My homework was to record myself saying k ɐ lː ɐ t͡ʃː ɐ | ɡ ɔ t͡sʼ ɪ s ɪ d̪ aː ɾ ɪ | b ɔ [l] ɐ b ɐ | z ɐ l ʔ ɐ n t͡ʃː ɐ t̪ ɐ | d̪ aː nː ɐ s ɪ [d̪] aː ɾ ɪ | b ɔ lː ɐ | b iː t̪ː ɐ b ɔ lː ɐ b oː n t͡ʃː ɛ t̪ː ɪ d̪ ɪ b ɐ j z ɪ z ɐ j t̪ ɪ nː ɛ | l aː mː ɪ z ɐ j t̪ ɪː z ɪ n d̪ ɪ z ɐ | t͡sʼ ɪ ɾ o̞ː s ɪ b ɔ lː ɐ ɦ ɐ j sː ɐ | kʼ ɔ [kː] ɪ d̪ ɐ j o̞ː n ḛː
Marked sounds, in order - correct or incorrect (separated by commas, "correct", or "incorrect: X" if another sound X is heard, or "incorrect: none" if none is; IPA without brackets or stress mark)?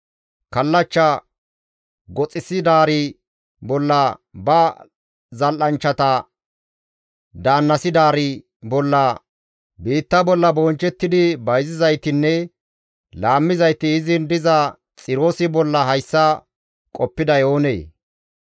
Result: incorrect: lː, correct, incorrect: pː